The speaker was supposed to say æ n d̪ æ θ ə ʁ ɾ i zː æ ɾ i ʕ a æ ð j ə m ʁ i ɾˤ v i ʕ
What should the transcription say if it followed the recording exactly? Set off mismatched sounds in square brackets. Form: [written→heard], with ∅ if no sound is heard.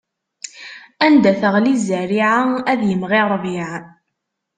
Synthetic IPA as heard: æ n d̪ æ θ ə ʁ [ɾ→l] i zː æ ɾ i ʕ a æ ð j ə m ʁ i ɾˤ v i ʕ